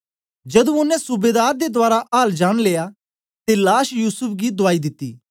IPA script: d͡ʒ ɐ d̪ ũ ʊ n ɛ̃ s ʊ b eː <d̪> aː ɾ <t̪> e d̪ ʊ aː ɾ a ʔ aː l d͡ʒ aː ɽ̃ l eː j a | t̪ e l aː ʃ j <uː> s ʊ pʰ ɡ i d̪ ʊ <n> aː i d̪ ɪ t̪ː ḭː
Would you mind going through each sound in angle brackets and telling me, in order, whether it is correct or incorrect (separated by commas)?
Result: correct, incorrect, correct, incorrect